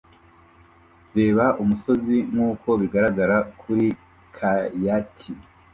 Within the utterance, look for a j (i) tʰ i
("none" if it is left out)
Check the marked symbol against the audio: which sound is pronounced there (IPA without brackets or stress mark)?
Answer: a